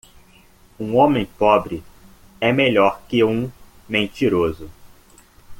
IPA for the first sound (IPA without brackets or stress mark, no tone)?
ũ